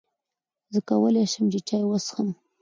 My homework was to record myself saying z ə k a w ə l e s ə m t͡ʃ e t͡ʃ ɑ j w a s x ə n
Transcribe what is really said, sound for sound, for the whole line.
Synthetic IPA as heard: z ə k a w ə l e ʃ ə m t͡ʃ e t͡ʃ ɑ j w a s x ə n